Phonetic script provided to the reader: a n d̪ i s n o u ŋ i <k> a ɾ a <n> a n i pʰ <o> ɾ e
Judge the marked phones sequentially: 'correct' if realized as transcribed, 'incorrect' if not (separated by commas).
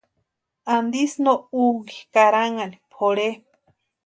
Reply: correct, incorrect, correct